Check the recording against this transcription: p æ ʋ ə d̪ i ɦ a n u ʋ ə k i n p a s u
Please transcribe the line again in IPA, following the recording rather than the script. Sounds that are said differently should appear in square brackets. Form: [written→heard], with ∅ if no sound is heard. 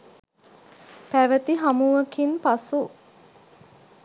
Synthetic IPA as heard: p æ ʋ ə [d̪→t̪] i ɦ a [n→m] u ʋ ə k i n p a s u